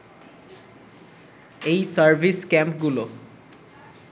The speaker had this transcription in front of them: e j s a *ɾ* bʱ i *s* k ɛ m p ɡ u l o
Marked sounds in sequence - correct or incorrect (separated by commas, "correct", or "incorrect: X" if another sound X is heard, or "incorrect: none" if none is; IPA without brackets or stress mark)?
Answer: incorrect: ɹ, correct